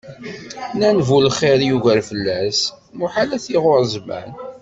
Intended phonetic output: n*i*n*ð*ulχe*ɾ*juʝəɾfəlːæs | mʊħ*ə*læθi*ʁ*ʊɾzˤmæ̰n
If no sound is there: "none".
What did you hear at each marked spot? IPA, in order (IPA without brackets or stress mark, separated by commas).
æ, v, ɾ, a, ʁ